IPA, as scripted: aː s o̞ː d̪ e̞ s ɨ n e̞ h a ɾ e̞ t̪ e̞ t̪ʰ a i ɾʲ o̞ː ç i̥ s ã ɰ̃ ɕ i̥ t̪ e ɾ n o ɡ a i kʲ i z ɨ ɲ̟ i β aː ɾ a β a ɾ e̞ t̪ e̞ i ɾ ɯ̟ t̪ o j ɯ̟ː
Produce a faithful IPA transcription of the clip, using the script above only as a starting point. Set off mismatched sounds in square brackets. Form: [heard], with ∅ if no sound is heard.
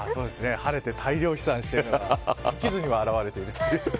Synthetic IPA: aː s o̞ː d̪ e̞ s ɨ n e̞ h a ɾ e̞ t̪ e̞ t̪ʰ a i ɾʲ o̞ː ç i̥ s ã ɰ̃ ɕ i̥ t̪ e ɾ n o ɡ a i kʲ i z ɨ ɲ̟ i β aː ɾ a β a ɾ e̞ t̪ e̞ i ɾ ɯ̟ t̪ o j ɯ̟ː